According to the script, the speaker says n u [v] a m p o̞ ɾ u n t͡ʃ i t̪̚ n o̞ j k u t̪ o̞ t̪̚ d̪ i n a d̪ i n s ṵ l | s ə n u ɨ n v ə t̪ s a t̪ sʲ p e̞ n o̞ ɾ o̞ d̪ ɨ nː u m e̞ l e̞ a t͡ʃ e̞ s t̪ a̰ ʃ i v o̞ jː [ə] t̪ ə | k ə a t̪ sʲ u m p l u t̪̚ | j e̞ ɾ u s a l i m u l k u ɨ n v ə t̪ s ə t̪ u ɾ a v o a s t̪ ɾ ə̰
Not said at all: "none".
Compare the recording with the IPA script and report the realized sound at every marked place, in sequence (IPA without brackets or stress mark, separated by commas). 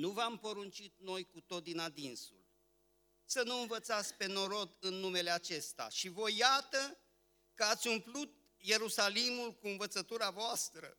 v, a